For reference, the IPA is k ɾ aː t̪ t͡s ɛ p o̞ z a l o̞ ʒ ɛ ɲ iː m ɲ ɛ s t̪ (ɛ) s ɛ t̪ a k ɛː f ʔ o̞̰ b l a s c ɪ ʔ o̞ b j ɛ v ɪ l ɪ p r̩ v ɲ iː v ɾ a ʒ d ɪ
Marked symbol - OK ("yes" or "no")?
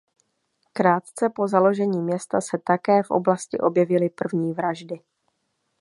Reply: no